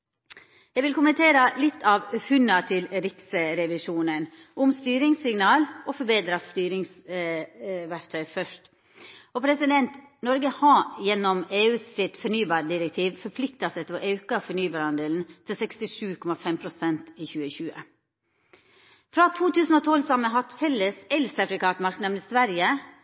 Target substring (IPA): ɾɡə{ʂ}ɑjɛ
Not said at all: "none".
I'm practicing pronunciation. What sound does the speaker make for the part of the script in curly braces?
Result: h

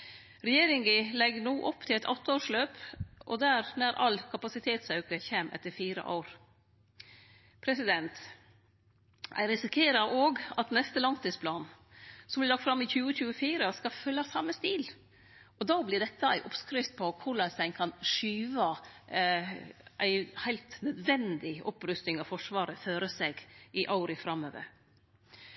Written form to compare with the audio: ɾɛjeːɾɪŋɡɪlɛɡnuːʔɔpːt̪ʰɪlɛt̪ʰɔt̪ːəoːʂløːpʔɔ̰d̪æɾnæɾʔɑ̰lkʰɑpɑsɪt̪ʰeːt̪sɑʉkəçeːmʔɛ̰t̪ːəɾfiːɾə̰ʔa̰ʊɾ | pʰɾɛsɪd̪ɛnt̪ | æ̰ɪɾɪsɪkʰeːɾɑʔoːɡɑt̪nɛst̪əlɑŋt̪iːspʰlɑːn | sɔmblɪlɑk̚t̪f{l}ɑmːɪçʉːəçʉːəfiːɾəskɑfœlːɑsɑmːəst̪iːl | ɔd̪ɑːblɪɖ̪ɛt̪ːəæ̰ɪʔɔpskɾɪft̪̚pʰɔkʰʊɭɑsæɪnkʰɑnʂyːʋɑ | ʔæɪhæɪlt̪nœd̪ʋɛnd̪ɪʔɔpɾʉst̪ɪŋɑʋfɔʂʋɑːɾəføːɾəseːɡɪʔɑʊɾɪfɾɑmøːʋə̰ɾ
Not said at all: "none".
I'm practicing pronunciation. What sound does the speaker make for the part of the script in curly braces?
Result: ɾ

